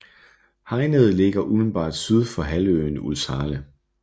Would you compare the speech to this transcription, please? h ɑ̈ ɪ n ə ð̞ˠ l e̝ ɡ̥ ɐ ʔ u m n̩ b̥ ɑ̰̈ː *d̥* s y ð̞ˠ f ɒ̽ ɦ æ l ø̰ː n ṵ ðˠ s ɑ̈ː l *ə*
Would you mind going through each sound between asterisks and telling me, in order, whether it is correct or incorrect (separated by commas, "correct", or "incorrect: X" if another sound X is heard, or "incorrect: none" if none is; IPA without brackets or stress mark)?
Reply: correct, correct